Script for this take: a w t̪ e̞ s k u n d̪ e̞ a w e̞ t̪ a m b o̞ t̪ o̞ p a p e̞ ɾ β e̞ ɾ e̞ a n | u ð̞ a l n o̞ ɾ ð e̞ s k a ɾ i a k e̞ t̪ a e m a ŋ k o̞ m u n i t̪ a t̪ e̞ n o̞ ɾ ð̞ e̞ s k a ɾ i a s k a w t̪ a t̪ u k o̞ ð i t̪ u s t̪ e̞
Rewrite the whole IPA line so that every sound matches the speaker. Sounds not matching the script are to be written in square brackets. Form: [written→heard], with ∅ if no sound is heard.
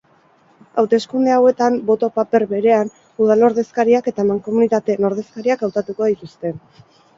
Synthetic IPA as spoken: a w t̪ e̞ s k u n d̪ e̞ a w e̞ t̪ a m b o̞ t̪ o̞ p a p e̞ ɾ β e̞ ɾ e̞ a n | u ð̞ a l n o̞ ɾ ð e̞ s k a ɾ i a k e̞ t̪ a e m a ŋ k o̞ m u n i t̪ a t̪ e̞ n o̞ ɾ ð̞ e̞ s k a ɾ i a [s→∅] k a w t̪ a t̪ u k o̞ ð i t̪ u s t̪ e̞